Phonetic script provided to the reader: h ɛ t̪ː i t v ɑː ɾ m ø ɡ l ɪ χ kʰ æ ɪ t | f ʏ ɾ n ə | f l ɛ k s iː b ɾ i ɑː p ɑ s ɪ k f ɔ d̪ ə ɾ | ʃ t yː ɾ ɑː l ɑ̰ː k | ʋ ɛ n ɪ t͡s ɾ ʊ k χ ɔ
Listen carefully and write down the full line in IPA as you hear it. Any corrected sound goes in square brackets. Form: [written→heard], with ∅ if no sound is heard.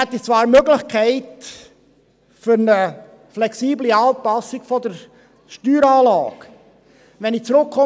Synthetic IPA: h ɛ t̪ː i [t→t͡s] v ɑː ɾ m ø ɡ l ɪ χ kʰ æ ɪ t | f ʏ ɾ n ə | f l ɛ k s iː b [ɾ→l] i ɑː p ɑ s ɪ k f ɔ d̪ ə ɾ | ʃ t yː ɾ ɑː l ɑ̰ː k | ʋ ɛ n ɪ t͡s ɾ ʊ k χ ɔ